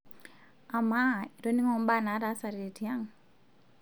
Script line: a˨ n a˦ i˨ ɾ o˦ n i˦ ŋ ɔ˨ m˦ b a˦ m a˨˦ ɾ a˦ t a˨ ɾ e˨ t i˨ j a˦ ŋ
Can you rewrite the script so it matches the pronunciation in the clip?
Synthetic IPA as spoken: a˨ m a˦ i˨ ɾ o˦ n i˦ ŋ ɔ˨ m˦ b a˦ n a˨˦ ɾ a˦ s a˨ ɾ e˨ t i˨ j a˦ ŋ